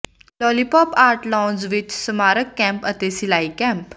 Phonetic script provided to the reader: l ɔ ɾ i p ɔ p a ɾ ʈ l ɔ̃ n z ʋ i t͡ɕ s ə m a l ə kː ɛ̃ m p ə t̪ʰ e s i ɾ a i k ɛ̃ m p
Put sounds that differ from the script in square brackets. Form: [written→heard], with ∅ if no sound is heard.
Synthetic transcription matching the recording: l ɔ [ɾ→l] i p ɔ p a ɾ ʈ l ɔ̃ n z ʋ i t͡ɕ s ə m a [l→ɾ] ə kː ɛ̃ m p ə [t̪ʰ→t̪] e s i [ɾ→l] a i k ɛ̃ m p